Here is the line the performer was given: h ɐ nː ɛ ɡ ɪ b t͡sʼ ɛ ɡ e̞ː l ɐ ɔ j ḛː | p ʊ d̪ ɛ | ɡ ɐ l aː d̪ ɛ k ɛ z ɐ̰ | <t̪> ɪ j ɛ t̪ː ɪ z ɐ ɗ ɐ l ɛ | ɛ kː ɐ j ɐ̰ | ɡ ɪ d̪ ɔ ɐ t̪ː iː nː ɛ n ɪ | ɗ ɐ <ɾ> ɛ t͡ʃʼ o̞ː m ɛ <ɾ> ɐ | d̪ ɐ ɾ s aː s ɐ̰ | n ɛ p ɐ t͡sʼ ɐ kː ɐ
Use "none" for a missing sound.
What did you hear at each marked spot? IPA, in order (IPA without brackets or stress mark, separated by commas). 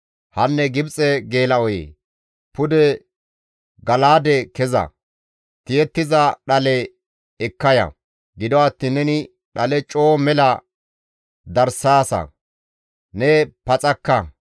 t̪, l, l